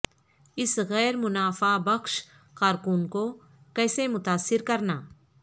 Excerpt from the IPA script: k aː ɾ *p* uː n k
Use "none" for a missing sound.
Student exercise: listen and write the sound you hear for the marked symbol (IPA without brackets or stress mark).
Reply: k